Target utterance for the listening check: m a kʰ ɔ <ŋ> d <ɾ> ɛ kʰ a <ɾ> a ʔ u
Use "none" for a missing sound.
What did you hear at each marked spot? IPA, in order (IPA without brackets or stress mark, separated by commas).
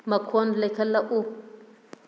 n, l, l